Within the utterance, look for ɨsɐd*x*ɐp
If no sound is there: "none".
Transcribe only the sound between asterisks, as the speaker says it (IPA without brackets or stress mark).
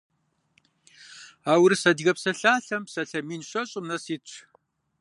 ɣ